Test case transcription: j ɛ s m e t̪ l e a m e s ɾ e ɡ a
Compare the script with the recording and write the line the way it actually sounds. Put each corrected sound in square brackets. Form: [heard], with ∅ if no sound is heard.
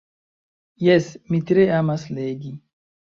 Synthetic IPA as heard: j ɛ s m [i] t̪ [ɾ] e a m [a] s [l] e ɡ [i]